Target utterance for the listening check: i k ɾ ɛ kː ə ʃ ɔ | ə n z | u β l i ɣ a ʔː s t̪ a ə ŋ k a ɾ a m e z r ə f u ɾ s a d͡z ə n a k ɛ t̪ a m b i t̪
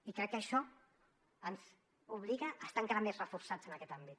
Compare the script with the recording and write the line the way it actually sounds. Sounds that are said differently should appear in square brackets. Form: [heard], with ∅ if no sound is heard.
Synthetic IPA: i k ɾ ɛ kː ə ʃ ɔ | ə n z | u β l i ɣ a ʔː s t̪ a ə ŋ k a ɾ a m e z r ə f u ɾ s a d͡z ə n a k ɛ t̪ a m b i t̪